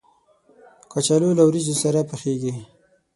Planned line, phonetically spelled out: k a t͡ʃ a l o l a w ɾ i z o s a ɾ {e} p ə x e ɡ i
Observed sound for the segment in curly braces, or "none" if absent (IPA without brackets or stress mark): a